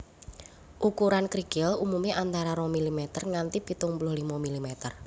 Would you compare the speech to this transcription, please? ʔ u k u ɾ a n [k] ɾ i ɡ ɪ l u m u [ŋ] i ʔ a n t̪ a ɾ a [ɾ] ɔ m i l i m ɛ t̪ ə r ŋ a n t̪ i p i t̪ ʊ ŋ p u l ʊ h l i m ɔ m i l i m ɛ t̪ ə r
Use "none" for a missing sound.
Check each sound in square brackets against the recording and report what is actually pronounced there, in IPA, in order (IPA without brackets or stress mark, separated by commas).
k, m, ɾ